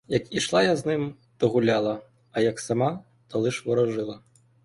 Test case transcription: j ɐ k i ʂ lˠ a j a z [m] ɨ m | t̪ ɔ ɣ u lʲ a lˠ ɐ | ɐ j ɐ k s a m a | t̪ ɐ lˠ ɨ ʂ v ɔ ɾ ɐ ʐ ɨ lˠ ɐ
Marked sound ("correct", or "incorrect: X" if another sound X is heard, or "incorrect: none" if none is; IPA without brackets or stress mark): incorrect: n